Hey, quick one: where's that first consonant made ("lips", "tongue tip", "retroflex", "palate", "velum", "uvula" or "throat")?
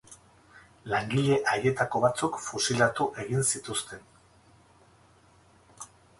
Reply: tongue tip